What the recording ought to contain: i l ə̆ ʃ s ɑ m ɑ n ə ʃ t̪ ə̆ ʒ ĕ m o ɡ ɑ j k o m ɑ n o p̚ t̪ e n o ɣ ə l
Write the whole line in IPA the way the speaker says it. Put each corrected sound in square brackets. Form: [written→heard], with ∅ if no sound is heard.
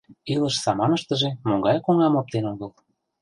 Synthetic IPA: i l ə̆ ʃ s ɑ m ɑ n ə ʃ t̪ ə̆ ʒ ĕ m o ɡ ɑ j k o [m→ŋ] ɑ [n→m] o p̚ t̪ e n o ɣ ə l

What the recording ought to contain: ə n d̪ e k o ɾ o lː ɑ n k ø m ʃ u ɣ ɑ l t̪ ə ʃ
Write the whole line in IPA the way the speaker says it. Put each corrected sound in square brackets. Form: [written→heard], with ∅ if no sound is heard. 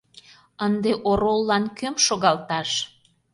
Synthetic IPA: ə n d̪ e [k→ʔ] o ɾ o lː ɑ n k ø m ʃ [u→o] ɣ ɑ l t̪ [ə→ɑ] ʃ

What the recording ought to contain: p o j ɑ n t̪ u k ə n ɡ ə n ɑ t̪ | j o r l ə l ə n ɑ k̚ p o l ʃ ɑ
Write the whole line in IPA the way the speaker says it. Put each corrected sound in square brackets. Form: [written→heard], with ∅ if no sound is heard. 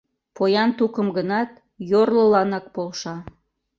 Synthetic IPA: p o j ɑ n t̪ u k ə [n→m] ɡ ə n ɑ t̪ | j o r l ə l [ə→ɑ] n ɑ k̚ p o l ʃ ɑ

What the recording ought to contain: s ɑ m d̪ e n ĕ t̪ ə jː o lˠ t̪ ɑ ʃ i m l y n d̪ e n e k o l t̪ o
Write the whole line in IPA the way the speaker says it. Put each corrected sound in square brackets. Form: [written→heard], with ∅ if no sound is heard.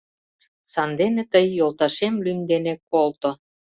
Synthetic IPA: s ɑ [m→n] d̪ e n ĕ t̪ ə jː o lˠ t̪ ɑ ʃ [i→e] m l y n d̪ e n e k o l t̪ o

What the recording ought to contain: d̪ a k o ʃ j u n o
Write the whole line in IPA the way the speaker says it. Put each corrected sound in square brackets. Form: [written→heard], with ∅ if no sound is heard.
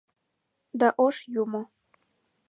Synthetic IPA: d̪ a [k→ʔ] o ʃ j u [n→m] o

